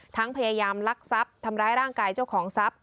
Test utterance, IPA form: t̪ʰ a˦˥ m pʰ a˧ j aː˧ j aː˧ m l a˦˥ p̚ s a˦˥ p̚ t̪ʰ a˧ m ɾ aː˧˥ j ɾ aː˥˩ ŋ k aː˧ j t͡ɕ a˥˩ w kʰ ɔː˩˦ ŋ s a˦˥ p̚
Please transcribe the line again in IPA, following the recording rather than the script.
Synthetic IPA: t̪ʰ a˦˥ ŋ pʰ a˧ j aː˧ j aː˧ m l a˦˥ k̚ s a˦˥ p̚ t̪ʰ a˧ m ɾ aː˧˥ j ɾ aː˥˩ ŋ k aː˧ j t͡ɕ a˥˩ w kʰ ɔː˩˦ ŋ s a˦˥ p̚